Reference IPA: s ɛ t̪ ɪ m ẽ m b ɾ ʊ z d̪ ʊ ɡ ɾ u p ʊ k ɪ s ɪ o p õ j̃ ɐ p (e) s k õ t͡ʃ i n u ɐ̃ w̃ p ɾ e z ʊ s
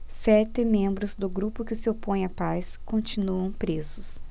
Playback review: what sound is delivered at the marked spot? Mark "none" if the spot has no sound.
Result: a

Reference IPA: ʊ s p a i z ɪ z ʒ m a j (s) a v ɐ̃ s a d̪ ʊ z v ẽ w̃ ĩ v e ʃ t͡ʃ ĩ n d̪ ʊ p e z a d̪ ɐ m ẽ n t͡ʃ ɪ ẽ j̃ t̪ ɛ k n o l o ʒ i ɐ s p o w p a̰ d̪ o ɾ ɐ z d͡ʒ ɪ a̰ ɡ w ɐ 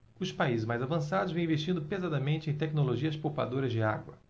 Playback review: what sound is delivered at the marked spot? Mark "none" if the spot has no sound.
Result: z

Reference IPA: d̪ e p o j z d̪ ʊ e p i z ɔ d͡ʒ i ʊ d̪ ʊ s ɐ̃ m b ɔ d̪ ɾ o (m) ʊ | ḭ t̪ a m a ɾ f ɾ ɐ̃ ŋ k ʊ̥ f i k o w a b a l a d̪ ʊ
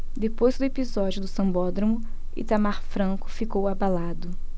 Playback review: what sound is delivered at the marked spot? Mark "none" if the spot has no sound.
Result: m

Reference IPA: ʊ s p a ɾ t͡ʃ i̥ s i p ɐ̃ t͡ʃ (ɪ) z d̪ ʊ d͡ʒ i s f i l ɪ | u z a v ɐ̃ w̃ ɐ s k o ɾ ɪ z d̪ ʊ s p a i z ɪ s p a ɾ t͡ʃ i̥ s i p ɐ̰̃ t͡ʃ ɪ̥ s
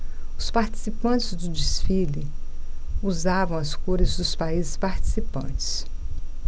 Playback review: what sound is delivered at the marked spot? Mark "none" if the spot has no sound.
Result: ɪ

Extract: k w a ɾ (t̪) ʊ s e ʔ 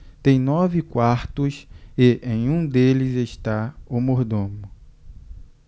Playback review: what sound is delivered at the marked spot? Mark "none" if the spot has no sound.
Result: t̪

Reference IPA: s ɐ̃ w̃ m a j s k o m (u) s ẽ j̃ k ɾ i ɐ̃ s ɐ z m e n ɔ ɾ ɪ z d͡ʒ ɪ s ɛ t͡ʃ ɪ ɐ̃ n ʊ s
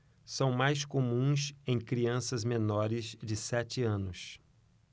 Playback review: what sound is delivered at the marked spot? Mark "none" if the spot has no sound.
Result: ũ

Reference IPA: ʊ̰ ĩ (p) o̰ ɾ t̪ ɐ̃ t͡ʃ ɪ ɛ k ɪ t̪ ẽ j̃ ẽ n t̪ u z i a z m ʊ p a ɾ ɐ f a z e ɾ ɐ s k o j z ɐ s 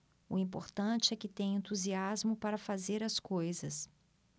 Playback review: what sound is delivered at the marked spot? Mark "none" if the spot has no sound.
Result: p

